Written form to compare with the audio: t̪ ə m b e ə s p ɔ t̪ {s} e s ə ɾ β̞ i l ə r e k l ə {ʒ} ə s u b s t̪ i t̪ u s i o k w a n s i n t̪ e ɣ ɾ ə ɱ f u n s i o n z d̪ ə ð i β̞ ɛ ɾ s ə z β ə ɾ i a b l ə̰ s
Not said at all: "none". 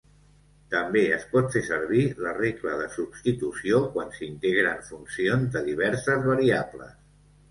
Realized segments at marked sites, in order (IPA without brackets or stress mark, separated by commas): f, ð